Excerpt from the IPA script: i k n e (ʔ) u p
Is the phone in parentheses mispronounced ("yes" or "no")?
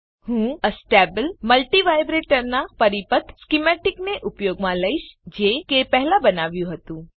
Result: no